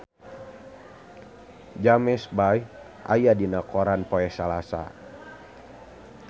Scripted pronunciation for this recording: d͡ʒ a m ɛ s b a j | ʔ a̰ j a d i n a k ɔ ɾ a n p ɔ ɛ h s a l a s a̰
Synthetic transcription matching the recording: d͡ʒ a m ɛ s b a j | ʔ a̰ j a d i n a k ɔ ɾ a n p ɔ ɛ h s a l a s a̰